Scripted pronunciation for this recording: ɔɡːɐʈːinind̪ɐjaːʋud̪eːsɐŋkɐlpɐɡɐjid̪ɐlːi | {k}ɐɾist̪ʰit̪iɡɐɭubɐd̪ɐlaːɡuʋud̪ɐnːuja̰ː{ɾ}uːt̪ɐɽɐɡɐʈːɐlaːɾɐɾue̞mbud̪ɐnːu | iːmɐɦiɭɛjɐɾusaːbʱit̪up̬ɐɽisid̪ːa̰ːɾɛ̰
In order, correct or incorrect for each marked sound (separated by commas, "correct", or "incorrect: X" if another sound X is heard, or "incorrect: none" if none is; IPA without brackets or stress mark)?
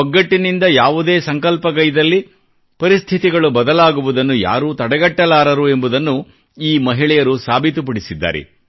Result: incorrect: p, correct